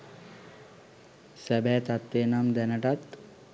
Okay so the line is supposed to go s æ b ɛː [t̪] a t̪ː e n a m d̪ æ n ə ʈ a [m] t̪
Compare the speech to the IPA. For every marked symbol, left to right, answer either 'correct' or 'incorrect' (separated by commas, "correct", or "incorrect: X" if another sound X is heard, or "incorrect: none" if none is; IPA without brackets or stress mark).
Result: correct, incorrect: none